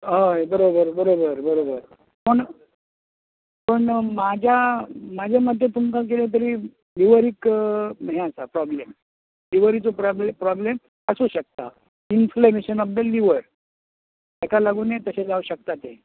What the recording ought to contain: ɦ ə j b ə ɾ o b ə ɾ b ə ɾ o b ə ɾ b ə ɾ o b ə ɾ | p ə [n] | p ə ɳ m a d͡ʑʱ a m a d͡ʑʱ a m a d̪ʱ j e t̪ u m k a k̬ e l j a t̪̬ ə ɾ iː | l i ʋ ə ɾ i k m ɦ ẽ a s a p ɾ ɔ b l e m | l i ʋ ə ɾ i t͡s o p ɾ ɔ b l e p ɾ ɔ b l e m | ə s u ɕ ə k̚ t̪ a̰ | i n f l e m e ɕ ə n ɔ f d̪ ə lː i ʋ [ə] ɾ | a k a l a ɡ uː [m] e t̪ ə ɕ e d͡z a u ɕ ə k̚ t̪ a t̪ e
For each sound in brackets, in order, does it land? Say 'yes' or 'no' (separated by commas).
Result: no, yes, no